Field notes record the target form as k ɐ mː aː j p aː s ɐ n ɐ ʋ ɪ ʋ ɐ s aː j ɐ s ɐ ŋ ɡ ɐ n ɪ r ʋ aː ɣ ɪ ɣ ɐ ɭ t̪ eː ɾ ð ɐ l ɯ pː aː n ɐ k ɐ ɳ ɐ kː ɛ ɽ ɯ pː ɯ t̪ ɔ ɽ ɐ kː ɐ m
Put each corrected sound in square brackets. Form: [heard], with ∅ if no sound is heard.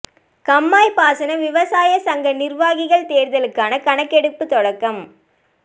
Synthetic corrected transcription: k ɐ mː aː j p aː s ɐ n ɐ ʋ ɪ ʋ ɐ s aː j ɐ s ɐ ŋ ɡ ɐ n ɪ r ʋ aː ɣ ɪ ɣ ɐ ɭ t̪ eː ɾ ð ɐ l ɯ [kː] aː n ɐ k ɐ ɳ ɐ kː ɛ ɽ ɯ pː ɯ t̪ ɔ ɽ ɐ kː ɐ m